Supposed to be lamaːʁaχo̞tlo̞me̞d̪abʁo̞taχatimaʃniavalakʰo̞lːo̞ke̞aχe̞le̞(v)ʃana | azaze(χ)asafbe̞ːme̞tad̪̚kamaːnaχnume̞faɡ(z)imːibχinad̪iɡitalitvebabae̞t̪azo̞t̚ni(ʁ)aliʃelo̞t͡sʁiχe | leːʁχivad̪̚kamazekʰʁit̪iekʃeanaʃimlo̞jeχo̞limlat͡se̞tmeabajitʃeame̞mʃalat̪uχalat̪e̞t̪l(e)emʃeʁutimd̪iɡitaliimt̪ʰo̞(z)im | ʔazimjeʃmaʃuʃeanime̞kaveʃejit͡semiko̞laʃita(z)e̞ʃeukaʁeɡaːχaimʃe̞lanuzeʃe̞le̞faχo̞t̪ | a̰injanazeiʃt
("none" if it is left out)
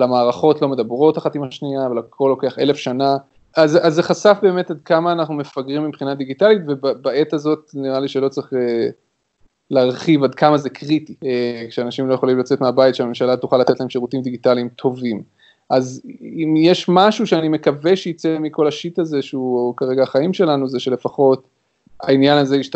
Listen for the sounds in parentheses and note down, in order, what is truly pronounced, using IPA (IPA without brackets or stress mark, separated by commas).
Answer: f, χ, ʁ, ʁ, a, v, z